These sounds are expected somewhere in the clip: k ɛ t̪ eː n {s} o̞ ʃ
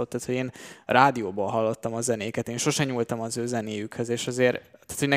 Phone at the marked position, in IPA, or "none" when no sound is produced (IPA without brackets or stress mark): ʃ